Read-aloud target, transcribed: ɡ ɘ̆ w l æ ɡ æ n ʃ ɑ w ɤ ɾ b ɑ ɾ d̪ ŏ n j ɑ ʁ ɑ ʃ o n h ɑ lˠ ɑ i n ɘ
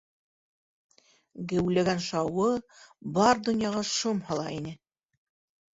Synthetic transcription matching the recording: ɡ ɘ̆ w l æ ɡ æ n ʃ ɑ w ɤ b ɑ ɾ d̪ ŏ n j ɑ ʁ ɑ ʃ o m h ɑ lˠ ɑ i n ɘ

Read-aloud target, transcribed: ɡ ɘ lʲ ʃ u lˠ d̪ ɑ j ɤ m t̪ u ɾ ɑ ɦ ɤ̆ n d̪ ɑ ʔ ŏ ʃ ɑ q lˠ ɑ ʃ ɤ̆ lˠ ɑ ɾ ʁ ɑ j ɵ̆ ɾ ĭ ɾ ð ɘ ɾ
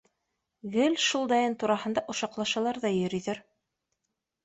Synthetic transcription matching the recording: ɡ ɘ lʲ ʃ u lˠ d̪ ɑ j ɤ n t̪ u ɾ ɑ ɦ ɤ̆ n d̪ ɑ ʔ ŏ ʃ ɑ q lˠ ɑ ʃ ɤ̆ lˠ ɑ ɾ ð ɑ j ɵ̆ ɾ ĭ ð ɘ ɾ

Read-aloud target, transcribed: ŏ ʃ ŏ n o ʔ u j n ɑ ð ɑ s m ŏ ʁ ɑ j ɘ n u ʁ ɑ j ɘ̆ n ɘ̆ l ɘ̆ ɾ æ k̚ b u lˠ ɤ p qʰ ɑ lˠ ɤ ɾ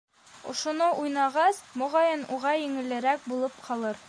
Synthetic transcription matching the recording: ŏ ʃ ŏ n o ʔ u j n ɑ ʁ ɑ s m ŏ ʁ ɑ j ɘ n u ʁ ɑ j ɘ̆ ŋ ɘ̆ l ɘ̆ ɾ æ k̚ b u lˠ ɤ p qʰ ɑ lˠ ɤ ɾ

